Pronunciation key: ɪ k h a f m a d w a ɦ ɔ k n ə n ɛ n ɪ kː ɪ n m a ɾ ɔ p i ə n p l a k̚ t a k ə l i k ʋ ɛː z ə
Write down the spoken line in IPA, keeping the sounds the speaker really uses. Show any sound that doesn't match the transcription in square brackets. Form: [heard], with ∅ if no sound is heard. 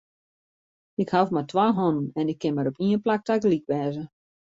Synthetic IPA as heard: ɪ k h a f m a [t] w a ɦ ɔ [∅] n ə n ɛ n ɪ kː ɪ n m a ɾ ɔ p i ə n p l a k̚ t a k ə l i k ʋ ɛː z ə